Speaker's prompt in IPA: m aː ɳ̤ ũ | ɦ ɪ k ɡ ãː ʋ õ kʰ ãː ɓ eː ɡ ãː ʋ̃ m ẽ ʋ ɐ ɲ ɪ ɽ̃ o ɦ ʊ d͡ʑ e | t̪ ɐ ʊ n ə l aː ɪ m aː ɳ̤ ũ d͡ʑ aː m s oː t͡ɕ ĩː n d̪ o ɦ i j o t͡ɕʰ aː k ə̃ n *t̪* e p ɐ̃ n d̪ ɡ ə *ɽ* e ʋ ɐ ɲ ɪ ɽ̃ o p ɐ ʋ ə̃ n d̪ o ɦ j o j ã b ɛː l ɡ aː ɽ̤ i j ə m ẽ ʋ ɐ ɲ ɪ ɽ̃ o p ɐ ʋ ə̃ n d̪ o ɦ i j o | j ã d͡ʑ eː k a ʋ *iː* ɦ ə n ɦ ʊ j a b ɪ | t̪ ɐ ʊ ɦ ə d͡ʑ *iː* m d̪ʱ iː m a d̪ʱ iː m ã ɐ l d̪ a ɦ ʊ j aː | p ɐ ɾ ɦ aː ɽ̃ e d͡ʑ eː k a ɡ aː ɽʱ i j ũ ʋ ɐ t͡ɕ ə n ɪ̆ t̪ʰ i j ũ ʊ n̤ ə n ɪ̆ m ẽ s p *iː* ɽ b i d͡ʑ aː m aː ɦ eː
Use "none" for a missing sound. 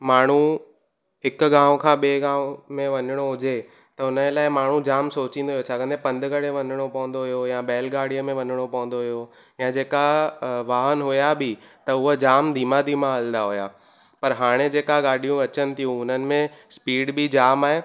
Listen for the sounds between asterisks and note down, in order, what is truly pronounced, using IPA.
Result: d̪, ɽ, aː, aː, iː

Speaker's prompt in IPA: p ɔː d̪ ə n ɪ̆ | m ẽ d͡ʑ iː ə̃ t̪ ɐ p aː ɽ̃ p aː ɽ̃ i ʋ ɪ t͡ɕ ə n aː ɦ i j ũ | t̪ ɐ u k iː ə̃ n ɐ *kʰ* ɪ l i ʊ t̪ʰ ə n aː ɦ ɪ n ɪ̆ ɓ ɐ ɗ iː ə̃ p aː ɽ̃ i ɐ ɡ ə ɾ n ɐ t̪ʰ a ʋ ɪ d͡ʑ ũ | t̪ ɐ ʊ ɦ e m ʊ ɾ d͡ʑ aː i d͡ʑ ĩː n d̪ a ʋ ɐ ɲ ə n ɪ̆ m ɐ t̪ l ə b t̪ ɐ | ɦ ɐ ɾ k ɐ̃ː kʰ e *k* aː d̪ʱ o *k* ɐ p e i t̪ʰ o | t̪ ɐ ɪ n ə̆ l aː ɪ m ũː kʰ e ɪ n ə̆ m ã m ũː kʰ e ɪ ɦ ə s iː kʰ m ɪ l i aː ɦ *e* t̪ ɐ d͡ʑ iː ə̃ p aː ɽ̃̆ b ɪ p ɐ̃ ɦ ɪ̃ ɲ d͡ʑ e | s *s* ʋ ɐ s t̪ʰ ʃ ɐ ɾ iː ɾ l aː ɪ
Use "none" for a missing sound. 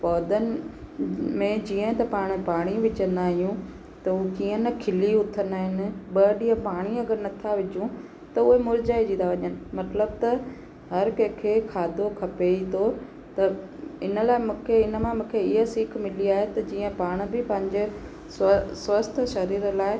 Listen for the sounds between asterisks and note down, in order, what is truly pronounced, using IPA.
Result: kʰ, kʰ, kʰ, e, s

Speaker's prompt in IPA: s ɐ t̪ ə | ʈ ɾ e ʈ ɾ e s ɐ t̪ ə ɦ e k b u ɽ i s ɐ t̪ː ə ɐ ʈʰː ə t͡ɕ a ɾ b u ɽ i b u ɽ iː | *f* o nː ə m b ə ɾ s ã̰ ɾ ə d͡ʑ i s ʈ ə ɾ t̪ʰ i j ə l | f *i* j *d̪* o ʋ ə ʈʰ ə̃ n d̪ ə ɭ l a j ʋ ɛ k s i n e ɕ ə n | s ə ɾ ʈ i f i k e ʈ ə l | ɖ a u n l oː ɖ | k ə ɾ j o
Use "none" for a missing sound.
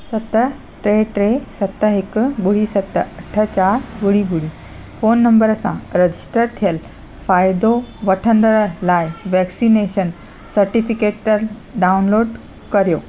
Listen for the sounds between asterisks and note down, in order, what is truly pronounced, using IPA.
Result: f, a, d̪

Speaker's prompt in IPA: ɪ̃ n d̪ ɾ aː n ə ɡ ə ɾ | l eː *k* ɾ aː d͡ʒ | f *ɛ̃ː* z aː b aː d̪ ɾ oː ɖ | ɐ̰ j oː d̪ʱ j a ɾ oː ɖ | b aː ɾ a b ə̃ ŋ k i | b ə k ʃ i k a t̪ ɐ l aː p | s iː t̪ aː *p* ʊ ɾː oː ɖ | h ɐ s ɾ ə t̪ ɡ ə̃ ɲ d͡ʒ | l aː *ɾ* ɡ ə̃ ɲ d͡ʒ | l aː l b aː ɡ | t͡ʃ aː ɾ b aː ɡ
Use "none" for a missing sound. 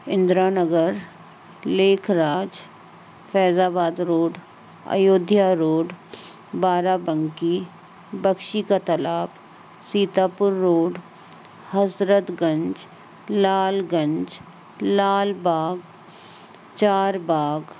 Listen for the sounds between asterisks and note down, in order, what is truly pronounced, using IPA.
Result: kʰ, ɛː, p, l

